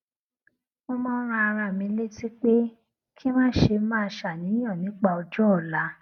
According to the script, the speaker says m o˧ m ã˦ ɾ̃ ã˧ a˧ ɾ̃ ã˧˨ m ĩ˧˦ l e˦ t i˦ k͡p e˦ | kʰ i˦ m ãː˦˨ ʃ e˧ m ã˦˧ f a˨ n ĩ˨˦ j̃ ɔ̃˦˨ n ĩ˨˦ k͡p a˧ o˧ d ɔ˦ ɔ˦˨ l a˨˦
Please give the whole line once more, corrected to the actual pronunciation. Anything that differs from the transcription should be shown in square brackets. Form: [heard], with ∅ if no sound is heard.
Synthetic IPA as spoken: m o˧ m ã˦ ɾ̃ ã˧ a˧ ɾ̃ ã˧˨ m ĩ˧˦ l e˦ t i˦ k͡p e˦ | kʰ i˦ m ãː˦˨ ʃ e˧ m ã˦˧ [ʃ] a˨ n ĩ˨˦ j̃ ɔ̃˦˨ n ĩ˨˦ k͡p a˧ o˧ [d͡ʒ] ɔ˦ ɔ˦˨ l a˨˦

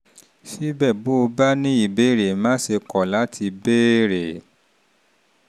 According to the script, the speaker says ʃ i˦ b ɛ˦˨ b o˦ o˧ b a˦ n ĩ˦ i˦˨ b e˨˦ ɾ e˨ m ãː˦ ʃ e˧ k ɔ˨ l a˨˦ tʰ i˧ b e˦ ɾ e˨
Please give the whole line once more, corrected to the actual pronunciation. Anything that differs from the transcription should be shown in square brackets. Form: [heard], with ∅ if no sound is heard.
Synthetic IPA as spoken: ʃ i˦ b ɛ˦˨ b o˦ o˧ b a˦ n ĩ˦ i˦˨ b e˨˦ ɾ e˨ m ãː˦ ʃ e˧ k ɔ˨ l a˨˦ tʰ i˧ b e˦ ɾ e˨

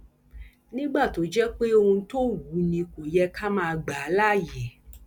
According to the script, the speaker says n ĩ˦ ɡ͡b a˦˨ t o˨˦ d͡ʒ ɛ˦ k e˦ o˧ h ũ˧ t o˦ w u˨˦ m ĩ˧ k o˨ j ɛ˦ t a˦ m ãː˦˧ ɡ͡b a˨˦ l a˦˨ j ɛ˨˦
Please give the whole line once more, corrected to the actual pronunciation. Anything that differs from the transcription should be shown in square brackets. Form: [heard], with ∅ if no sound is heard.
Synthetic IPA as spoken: n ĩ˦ ɡ͡b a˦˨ t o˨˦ d͡ʒ ɛ˦ [k͡p] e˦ o˧ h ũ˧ t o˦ w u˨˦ [n] ĩ˧ k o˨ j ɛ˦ [k] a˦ m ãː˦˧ ɡ͡b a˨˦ l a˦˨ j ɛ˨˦

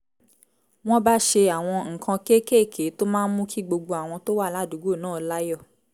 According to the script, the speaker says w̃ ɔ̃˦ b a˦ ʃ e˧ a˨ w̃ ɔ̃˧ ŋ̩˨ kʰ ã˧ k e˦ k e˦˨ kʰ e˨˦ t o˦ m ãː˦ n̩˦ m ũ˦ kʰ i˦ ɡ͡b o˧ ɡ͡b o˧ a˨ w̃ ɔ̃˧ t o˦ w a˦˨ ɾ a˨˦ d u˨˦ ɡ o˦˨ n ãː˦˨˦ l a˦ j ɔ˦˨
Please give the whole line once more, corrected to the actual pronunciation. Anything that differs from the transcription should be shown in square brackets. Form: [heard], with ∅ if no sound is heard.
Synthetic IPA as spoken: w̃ ɔ̃˦ b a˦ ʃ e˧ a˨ w̃ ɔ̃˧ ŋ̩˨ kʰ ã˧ k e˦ k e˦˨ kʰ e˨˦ t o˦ m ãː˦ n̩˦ m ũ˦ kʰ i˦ ɡ͡b o˧ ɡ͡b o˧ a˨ w̃ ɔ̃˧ t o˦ w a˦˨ [l] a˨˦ d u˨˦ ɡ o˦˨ n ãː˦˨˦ l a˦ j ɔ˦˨

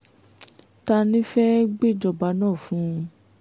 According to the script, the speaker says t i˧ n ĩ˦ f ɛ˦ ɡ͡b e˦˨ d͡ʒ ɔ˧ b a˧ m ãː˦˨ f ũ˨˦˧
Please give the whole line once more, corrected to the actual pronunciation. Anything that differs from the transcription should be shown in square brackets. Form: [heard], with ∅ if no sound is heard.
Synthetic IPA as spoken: t [a˧] n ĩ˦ f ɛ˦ ɡ͡b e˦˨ d͡ʒ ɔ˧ b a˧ [n] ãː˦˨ f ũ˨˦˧

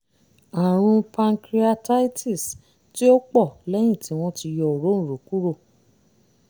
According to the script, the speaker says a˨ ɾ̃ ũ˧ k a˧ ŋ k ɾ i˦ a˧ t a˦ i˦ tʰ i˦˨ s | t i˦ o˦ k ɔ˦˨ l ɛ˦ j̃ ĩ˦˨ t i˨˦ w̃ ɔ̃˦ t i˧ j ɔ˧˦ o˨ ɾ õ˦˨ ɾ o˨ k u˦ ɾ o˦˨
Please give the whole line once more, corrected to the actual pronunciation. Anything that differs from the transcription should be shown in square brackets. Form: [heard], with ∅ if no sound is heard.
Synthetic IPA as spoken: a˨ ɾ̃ ũ˧ [p] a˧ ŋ k ɾ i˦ a˧ t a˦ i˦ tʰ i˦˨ s | t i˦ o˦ [k͡p] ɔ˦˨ l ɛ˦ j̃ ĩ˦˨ t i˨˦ w̃ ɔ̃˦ t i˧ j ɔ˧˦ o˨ ɾ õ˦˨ ɾ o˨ k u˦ ɾ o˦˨

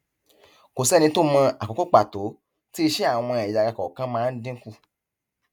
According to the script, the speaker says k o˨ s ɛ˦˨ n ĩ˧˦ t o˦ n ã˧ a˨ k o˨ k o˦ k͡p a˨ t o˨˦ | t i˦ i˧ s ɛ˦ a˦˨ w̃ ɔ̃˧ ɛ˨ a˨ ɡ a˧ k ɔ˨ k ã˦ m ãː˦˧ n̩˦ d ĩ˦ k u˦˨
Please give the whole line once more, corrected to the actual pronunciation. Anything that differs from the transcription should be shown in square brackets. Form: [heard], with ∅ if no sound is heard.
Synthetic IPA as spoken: k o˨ s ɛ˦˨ n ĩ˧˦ t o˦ [m] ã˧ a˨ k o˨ k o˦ k͡p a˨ t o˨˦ | t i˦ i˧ [ʃ] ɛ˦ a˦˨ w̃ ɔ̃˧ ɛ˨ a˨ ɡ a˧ k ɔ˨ k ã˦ m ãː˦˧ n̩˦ d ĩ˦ k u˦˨

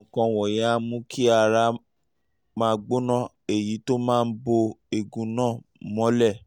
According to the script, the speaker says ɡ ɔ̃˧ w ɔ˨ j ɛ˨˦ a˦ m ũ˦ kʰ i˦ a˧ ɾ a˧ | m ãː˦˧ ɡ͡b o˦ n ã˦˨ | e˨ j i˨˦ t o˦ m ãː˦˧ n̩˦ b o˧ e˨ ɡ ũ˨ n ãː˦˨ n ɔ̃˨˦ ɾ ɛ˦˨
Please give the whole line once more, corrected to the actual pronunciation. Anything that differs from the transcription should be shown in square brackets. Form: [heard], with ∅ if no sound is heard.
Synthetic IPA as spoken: [k] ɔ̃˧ w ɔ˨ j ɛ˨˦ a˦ m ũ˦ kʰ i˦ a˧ ɾ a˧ | m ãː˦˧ ɡ͡b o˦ n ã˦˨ | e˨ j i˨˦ t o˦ m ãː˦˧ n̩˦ b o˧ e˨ ɡ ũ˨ n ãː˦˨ [m] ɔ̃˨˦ [l] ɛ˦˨

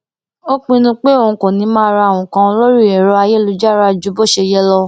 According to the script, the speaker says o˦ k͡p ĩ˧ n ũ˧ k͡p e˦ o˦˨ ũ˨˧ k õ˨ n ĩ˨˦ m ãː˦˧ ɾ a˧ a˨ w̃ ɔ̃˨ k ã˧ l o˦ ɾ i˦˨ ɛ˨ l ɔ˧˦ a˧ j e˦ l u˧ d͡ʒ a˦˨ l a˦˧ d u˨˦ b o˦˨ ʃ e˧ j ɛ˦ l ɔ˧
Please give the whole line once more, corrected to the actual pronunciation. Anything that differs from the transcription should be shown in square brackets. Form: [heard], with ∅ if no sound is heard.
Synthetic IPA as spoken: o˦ k͡p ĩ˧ n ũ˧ k͡p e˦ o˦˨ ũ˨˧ k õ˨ n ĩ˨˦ m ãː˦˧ ɾ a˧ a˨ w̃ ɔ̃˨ k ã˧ l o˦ ɾ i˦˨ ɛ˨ [ɾ] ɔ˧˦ a˧ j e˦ l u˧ d͡ʒ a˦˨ [ɾ] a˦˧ [d͡ʒ] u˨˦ b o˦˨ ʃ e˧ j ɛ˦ l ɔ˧

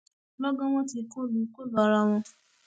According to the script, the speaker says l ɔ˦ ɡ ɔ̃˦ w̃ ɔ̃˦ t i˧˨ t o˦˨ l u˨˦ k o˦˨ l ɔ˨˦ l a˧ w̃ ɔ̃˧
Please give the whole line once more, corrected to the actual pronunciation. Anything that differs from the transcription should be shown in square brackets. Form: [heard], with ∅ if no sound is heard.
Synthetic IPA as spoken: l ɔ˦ ɡ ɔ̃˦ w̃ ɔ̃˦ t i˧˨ [k] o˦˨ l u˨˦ k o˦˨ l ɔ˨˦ [ɾ] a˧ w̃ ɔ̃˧

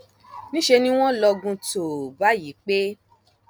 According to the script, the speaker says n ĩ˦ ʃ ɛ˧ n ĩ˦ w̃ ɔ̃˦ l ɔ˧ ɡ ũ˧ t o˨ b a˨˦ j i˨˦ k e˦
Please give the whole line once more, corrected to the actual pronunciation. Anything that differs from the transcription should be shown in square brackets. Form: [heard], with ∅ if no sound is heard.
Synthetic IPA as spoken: n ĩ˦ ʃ [e˧] n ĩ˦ w̃ ɔ̃˦ l ɔ˧ ɡ ũ˧ t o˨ b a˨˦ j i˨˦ [k͡p] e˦

